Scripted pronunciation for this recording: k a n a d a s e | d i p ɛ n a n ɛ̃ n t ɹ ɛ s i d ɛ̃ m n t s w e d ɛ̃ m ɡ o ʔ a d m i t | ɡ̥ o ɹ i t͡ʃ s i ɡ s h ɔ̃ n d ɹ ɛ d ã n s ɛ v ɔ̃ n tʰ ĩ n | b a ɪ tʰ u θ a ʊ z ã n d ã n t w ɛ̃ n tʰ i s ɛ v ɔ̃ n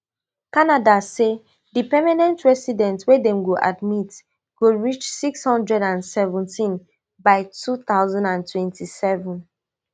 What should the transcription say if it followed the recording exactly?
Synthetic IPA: k a n a d a s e | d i p ɛ m a n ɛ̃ n t ɹ ɛ s i d ɛ̃ n t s w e d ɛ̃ m ɡ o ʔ a d m i t | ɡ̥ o ɹ i t͡ʃ s i k s h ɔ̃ n d ɹ ɛ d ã n s ɛ v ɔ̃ n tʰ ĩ n | b a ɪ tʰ u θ a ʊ z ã n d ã n t w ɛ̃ n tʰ i s ɛ v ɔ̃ n